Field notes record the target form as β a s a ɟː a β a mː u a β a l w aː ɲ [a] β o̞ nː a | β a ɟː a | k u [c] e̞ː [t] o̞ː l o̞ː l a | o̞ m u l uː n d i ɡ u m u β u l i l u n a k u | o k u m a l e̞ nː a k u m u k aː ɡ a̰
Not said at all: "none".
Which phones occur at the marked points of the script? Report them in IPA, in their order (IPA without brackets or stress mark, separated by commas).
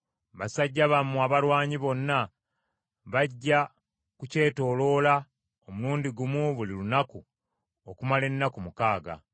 i, c, t